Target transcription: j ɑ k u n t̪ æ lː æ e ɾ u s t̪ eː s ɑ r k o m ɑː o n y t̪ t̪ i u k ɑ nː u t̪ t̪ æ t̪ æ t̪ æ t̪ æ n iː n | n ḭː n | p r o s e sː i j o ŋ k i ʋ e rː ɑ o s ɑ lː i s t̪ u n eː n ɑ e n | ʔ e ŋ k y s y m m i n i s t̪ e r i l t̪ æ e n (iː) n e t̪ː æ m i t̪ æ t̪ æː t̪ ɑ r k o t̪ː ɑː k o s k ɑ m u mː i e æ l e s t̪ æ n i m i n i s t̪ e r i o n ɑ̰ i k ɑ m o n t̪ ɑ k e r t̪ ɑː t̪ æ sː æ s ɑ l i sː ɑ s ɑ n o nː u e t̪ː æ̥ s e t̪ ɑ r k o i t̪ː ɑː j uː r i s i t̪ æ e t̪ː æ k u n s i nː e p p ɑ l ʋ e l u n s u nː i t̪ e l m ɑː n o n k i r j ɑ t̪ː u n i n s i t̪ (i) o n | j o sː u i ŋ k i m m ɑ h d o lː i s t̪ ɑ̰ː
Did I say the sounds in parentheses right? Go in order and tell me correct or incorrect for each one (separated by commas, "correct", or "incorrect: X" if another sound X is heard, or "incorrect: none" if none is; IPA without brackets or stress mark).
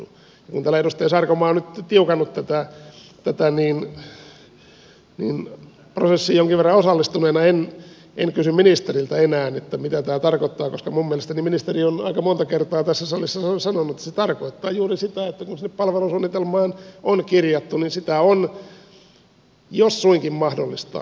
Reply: incorrect: æː, incorrect: æ